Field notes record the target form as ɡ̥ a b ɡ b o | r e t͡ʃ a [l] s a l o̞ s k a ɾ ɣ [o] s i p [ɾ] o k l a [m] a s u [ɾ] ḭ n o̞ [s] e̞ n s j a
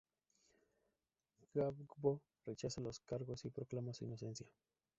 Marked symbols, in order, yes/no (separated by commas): no, yes, yes, yes, no, yes